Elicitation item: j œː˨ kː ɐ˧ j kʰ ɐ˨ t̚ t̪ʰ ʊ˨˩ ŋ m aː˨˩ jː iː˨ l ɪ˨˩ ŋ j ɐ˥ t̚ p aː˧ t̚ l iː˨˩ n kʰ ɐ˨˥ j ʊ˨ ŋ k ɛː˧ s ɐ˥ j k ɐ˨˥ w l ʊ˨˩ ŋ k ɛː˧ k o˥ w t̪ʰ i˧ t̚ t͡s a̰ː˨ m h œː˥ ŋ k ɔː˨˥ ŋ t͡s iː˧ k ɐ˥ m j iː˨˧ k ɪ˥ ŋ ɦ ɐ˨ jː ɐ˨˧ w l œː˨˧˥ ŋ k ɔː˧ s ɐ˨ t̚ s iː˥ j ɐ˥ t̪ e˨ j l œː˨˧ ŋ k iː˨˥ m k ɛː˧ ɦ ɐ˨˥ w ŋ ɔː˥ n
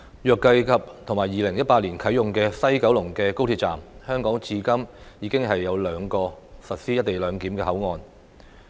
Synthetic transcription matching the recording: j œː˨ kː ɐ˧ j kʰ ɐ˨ p̚ t̪ʰ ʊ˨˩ ŋ m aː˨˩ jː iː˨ l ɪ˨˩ ŋ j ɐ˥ t̚ p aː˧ t̚ l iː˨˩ n kʰ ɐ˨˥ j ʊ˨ ŋ k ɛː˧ s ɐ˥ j k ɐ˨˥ w l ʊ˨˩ ŋ k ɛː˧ k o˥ w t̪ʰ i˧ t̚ t͡s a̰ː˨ m h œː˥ ŋ k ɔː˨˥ ŋ t͡s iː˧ k ɐ˥ m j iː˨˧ k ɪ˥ ŋ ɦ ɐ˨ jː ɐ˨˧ w l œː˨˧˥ ŋ k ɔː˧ s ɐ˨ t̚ s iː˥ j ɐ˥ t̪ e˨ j l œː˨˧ ŋ k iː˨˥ m k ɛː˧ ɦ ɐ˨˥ w ŋ ɔː˨˧ n